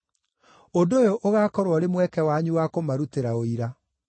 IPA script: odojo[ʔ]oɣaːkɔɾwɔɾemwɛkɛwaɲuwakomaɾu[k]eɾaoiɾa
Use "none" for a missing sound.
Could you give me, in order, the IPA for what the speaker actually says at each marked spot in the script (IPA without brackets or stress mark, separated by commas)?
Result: ʔ, t